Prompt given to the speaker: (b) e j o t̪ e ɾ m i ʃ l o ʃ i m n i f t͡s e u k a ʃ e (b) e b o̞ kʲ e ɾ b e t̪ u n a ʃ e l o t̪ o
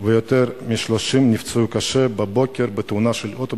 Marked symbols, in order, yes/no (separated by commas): no, yes